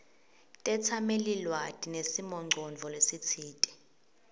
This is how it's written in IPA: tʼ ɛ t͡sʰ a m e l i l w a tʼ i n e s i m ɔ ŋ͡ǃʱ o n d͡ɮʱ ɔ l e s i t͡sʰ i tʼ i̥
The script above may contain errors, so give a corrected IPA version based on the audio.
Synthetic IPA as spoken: tʼ ɛ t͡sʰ a m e l i l w a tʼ i n e s i m ɔ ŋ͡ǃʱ ɔ n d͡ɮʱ ɔ l e s i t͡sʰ iː tʼ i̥

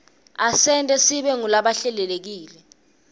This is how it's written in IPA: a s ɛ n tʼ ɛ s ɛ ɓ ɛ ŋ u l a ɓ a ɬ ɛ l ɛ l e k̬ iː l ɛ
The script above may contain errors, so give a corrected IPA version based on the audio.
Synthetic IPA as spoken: a s ɛ n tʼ ɛ s i ɓ ɛ ŋ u l a ɓ a ɬ ɛ l ɛ l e k̬ iː l ɛ

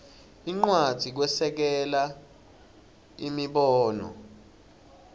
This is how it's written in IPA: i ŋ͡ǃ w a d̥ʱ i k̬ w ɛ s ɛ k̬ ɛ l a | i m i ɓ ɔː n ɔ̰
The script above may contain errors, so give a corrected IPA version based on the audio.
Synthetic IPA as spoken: i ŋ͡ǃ w a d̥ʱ i k̬ w ɛ s ɛ k̬ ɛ l a | i m i ɓ ɔː n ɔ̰

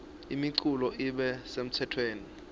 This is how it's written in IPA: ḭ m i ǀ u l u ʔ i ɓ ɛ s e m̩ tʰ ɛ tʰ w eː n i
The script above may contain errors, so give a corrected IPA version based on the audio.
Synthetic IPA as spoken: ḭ m i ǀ u l ɔ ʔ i ɓ ɛ s e m̩ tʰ ɛ tʰ w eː n i

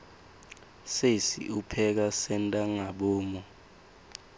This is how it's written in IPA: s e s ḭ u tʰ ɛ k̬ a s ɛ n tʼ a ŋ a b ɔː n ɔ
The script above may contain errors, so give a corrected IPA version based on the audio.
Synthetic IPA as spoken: s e s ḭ u pʰ ɛ k̬ a s ɛ n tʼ a ŋ a ɓ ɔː m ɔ

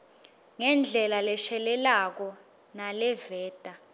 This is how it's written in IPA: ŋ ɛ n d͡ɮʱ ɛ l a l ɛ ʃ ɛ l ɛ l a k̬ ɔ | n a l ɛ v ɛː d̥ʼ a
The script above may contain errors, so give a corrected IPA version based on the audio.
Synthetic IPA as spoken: ŋ ɛ n d͡ɮʱ ɛ l a l ɛ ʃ ɛ l ɛ l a k̬ ɔ | n a l ɛ v ɛː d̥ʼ a

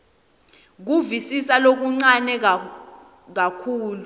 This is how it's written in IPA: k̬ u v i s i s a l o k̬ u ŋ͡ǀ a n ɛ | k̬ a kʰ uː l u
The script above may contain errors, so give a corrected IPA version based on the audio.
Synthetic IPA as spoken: k̬ u v i s i s a l o k̬ u ŋ͡ǀ a n ɛ | k̬ a kʰ uː l u

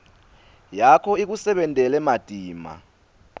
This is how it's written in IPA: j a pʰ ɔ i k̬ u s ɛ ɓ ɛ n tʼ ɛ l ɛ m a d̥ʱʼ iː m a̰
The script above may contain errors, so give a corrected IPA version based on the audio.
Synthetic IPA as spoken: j a kʰ ɔ i k̬ u s ɛ ɓ ɛ n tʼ ɛ l ɛ m a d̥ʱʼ iː m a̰

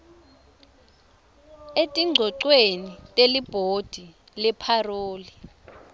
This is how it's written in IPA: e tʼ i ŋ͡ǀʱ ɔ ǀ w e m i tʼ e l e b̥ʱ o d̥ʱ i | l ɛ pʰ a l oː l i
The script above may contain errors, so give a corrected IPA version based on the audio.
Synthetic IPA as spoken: e tʼ i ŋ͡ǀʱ ɔ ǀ w e n i tʼ e l i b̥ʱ o d̥ʱ i | l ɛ pʰ a r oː l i

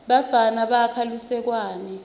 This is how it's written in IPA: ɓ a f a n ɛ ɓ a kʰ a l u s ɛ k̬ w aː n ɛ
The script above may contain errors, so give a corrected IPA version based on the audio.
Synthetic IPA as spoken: ɓ a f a n a ɓ a kʰ a l u s ɛ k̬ w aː n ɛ

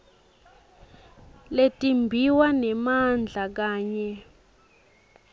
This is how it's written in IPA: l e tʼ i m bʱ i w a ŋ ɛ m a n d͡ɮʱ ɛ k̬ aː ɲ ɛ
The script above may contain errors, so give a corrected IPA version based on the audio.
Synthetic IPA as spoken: l e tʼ i m bʱ i w a n ɛ m a n d͡ɮʱ a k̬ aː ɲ ɛ

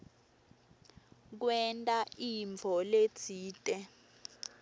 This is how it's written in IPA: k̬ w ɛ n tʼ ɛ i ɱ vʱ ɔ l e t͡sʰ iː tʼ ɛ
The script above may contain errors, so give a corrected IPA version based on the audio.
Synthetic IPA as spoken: k̬ w ɛ n tʼ a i ɱ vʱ ɔ l e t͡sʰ iː tʼ ɛ

